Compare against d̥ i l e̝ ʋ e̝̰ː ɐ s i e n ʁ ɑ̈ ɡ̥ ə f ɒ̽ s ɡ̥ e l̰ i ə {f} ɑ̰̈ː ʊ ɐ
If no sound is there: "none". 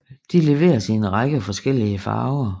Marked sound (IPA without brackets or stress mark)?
f